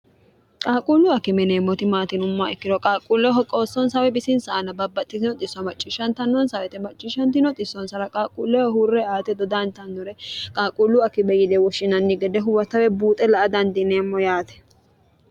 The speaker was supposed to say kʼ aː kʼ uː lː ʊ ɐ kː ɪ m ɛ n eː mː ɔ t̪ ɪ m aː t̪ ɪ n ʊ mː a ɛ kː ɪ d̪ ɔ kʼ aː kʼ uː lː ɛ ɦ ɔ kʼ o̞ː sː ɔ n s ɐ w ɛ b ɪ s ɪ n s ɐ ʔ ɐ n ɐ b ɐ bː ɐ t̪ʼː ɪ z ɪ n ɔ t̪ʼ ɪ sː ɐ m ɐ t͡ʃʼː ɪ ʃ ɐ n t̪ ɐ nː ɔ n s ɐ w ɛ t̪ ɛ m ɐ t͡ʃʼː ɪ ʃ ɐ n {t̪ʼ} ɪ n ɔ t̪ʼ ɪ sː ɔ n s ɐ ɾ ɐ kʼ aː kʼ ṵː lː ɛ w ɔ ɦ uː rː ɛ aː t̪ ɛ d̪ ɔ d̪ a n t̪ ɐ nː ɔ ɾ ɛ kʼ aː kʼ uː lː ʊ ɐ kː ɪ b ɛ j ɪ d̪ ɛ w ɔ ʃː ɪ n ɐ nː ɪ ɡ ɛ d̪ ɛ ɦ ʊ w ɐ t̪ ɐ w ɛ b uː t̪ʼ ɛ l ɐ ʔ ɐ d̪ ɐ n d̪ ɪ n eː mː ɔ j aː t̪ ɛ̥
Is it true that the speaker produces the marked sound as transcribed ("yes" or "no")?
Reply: no